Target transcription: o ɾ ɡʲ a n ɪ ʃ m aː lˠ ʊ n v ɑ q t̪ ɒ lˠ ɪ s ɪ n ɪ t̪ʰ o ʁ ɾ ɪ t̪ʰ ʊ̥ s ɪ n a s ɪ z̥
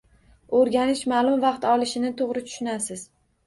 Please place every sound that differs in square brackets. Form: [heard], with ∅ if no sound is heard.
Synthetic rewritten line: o ɾ ɡʲ a n ɪ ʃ m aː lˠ ʊ [m] v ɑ q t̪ ɒ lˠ ɪ [ʃ] ɪ n ɪ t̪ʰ o ʁ ɾ ɪ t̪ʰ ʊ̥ [ʃ] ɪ n a s ɪ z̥